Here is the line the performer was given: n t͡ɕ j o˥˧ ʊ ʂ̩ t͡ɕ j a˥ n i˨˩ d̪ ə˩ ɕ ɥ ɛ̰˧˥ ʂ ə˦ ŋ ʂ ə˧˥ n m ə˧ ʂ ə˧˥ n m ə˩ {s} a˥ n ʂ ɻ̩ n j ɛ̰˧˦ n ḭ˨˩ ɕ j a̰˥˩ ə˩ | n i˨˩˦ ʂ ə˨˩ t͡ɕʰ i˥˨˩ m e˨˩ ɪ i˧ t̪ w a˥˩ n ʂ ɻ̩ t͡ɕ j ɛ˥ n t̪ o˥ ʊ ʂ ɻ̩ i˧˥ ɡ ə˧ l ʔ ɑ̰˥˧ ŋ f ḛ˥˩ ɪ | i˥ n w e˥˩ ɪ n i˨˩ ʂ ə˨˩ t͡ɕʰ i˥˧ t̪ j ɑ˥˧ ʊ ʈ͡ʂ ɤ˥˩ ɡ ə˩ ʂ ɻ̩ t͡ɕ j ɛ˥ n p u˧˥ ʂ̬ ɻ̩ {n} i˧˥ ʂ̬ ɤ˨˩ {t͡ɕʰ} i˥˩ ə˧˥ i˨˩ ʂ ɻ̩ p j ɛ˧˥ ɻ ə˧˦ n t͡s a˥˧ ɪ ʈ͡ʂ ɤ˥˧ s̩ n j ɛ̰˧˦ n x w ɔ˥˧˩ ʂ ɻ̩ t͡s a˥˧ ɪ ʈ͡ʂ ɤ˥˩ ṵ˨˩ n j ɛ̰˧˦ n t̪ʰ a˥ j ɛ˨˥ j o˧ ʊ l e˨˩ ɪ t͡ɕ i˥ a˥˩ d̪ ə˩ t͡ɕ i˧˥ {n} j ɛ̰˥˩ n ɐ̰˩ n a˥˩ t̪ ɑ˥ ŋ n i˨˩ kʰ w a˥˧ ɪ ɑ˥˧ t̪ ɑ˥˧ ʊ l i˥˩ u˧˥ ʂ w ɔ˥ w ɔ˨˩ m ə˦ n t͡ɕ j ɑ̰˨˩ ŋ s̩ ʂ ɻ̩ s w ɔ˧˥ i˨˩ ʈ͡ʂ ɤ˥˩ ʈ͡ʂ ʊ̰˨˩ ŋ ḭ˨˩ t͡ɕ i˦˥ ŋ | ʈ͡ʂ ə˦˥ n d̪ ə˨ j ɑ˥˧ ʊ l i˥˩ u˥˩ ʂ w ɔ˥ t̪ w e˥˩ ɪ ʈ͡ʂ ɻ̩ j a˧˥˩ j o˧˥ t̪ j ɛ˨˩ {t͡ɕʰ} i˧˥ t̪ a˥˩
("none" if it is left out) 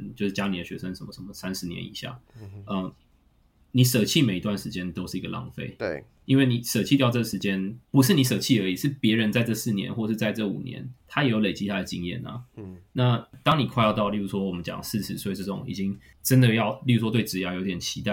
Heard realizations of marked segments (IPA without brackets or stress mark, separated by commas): s, n, t͡ɕʰ, ŋ, t͡ɕʰ